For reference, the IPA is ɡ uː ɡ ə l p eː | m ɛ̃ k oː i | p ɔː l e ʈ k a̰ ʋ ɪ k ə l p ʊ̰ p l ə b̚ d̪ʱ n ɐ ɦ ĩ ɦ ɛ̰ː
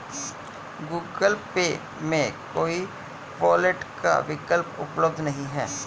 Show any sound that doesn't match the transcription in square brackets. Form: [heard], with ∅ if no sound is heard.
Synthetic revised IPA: ɡ uː ɡ ə l p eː | m [ẽ] k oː i | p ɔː l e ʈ k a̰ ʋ ɪ k ə l p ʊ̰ p l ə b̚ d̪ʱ n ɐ ɦ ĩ ɦ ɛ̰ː